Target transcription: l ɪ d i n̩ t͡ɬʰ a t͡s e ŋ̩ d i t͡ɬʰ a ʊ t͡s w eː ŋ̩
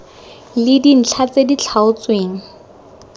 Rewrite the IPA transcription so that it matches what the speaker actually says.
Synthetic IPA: l ɪ d i n̩ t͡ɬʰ a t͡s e d i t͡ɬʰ a ʊ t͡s w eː ŋ̩

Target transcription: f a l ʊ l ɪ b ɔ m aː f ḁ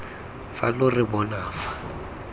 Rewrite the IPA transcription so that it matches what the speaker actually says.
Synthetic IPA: f a l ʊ r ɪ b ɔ n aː f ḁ

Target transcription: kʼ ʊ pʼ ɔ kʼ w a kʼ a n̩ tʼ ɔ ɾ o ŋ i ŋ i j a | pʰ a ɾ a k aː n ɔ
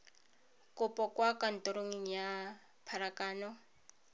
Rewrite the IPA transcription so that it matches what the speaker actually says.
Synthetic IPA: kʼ ʊ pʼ ɔ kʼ w a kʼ a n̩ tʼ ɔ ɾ o ŋ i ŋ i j a | pʰ a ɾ a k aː n ɔ

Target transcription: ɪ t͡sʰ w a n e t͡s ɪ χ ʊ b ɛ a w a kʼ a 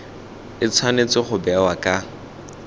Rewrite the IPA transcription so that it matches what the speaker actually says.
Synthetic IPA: ɪ t͡sʰ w a n e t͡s ɪ χ ʊ b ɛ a w a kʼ a

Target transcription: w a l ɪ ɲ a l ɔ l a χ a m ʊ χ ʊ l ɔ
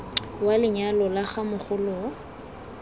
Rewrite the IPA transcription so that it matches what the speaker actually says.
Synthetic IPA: w a l ɪ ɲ a l ɔ l a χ a m ʊ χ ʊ l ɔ

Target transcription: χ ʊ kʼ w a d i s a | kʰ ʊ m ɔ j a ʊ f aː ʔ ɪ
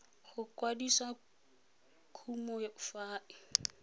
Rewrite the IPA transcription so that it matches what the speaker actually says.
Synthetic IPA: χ ʊ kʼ w a d i s a | kʰ u m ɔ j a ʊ f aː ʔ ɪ

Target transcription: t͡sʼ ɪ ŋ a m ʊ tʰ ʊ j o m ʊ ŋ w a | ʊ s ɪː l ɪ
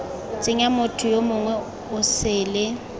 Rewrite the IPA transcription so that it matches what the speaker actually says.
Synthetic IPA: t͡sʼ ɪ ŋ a m ʊ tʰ ʊ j o m ʊ ŋ w ɛ | ʊ s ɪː l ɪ

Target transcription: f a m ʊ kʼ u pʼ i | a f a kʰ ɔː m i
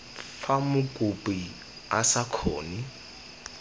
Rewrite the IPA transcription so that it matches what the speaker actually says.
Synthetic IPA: f a m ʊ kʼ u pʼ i | a s a kʰ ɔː n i

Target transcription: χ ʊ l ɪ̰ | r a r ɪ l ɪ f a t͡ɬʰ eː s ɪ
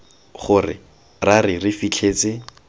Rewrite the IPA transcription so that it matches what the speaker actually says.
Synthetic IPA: χ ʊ r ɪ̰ | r a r ɪ r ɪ f i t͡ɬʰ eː t͡s ɪ

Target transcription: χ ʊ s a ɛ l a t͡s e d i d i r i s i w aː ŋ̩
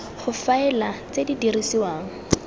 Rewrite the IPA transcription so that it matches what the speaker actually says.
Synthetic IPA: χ ʊ f a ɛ l a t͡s e d i d i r i s i w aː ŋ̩

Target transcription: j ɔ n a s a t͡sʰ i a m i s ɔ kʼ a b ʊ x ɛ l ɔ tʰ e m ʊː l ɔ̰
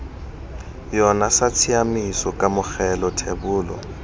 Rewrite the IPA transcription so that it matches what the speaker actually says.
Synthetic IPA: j ɔ n a s a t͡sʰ i a m i s ɔ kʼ a m ʊ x ɛ l ɔ tʰ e b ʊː l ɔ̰

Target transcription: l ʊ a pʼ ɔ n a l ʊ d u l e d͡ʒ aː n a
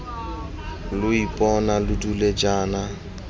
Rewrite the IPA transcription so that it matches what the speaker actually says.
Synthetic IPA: l ʊ i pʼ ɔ n a l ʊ d u l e d͡ʒ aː n a

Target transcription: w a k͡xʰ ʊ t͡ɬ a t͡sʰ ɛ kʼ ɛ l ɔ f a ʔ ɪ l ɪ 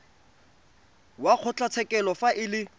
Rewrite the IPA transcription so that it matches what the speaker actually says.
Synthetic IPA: w a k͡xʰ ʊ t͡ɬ a t͡sʰ ɛ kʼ ɛ l ɔ f a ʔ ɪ l ɪ

